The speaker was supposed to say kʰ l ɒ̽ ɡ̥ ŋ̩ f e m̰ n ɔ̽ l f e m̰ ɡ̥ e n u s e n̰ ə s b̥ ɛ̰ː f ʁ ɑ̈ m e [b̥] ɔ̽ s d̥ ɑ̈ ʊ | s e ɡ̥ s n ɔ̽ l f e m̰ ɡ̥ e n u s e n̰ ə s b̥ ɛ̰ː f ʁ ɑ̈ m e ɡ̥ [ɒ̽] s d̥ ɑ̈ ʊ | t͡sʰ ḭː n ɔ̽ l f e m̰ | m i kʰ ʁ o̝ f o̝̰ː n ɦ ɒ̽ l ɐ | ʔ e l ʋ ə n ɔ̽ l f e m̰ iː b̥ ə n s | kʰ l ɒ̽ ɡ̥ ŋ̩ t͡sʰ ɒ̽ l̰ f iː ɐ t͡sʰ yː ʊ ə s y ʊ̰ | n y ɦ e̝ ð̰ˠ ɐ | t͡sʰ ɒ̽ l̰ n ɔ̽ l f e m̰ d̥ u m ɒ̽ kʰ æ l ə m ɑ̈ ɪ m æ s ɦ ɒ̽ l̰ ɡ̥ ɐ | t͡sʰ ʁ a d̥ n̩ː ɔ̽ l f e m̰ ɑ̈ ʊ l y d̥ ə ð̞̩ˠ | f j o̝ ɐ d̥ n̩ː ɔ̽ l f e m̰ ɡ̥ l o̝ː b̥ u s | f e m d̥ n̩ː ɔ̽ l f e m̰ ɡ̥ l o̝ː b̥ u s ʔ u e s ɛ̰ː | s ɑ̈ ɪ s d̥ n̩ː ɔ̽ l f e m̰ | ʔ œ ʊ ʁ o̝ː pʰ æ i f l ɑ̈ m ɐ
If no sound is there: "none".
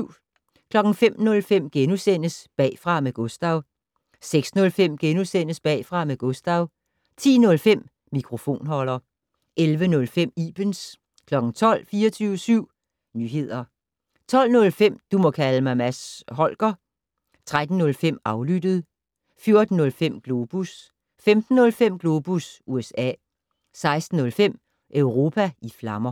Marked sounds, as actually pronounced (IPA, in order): ɡ̥, ɔ̽

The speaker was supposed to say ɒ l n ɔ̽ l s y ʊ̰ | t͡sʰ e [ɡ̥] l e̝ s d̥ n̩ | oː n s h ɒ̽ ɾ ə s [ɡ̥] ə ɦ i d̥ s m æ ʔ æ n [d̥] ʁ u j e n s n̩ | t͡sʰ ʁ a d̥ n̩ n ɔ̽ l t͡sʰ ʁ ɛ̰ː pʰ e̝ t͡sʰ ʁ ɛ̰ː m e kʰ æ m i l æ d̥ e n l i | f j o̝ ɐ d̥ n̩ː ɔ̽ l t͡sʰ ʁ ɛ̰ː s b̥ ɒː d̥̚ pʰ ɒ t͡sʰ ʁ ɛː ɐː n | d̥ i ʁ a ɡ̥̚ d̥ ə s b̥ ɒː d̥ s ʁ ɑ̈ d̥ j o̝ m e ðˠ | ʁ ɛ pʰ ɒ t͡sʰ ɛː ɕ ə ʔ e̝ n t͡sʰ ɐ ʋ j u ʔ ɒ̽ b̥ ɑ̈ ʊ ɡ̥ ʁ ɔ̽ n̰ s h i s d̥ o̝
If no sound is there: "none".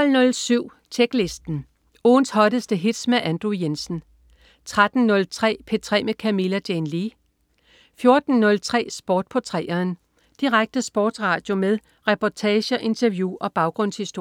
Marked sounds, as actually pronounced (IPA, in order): ɡ̥, d̥, d̥

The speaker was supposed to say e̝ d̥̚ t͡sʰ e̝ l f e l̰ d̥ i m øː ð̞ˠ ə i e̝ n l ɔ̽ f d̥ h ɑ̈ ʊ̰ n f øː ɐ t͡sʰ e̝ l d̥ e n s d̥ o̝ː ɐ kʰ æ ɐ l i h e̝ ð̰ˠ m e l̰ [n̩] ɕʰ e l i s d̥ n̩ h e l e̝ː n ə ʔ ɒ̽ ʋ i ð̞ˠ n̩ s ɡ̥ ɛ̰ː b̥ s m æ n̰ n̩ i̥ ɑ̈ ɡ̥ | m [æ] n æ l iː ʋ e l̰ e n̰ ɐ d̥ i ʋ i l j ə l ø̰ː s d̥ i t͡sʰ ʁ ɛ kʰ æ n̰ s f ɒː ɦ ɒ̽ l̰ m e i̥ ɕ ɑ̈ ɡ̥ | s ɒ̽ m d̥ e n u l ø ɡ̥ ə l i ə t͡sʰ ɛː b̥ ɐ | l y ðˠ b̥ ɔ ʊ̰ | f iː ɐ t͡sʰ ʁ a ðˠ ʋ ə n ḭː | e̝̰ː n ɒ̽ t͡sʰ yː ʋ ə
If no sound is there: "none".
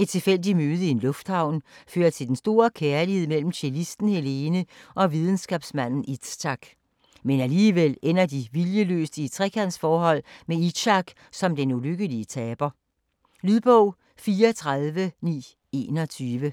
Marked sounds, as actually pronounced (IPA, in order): m̩, e

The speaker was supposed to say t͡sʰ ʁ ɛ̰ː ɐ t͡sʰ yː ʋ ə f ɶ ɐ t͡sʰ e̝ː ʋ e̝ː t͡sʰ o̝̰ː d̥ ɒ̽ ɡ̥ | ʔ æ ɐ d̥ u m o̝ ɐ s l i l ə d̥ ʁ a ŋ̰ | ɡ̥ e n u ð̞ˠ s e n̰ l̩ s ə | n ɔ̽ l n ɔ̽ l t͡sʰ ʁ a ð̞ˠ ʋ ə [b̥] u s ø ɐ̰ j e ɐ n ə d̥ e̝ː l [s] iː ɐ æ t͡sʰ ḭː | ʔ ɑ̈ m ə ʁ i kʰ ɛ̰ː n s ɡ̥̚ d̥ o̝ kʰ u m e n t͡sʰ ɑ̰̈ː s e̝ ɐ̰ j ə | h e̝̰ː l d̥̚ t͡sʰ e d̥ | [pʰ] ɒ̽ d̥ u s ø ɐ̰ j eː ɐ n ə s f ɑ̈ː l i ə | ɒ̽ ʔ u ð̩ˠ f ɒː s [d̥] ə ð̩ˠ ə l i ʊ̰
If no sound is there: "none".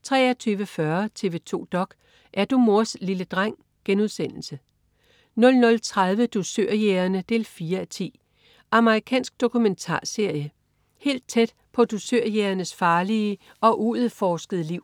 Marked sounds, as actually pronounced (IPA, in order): d̥, f, pʰ, ɡ̥

